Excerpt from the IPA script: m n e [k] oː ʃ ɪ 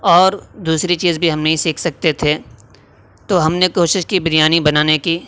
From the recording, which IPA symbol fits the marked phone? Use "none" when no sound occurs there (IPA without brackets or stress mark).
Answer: k